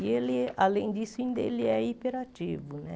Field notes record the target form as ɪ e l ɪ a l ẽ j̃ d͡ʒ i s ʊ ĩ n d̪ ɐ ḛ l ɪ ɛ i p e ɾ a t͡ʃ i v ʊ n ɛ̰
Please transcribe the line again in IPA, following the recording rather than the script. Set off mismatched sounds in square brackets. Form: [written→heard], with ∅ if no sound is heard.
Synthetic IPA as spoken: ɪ e l ɪ a l ẽ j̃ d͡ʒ i s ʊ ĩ n d̪ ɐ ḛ l ɪ ɛ i p e ɾ a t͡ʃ i v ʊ n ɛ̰